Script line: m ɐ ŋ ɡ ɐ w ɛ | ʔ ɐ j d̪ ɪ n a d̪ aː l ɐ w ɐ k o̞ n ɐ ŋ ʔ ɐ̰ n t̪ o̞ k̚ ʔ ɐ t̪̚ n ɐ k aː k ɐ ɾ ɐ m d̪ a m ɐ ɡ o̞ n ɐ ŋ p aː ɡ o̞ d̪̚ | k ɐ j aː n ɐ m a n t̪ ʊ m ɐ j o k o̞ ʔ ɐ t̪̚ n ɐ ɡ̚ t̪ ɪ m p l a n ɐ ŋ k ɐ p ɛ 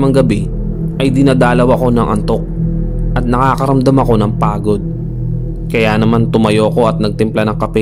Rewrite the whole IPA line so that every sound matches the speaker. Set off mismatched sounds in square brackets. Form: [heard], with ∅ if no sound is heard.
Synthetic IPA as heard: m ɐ ŋ ɡ ɐ [b] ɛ | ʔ ɐ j d̪ ɪ n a d̪ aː l ɐ w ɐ k o̞ n ɐ ŋ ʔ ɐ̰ n t̪ o̞ k̚ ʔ ɐ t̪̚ n ɐ k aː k ɐ ɾ ɐ m d̪ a m ɐ [k] o̞ n ɐ ŋ p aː ɡ o̞ d̪̚ | k ɐ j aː n ɐ m a n t̪ ʊ m ɐ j o k o̞ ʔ ɐ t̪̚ n ɐ ɡ̚ t̪ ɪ m p l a n ɐ ŋ k ɐ p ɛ